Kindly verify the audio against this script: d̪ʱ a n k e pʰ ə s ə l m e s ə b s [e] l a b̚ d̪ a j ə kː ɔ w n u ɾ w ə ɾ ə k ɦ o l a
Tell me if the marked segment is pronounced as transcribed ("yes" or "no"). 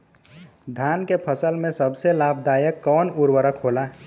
yes